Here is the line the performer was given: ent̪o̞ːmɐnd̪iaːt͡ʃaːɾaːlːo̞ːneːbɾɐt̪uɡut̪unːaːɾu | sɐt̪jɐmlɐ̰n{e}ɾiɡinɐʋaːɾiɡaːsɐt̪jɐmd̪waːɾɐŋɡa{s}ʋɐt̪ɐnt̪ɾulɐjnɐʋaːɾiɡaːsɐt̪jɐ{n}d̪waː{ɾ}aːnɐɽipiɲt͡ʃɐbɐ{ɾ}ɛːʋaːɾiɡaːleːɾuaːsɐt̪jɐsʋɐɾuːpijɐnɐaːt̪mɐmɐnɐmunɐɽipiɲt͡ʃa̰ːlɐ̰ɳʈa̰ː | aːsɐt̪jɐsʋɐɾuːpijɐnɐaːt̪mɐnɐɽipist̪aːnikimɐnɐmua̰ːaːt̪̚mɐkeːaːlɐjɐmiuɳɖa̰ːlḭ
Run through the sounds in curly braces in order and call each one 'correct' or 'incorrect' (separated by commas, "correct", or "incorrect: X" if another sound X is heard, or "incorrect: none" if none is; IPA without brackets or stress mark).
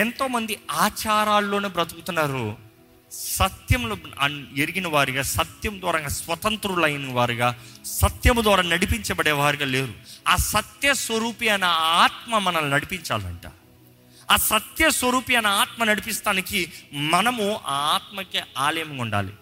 correct, correct, incorrect: m, correct, incorrect: ɽ